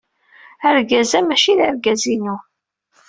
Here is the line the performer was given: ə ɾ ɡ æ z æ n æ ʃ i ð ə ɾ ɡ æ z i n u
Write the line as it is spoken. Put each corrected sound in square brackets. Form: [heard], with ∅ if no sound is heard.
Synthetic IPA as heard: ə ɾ ɡ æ z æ [m] æ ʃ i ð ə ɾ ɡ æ z i n u